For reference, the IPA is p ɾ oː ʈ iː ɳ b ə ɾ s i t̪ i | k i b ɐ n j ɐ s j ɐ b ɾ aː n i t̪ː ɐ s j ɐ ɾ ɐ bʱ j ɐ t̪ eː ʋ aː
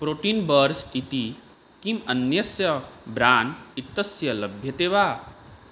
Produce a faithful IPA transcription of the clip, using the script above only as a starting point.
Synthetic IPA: p ɾ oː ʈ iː n b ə ɾ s i t̪ i | k i m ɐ n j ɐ s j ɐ b ɾ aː n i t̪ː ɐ s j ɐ l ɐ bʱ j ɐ t̪ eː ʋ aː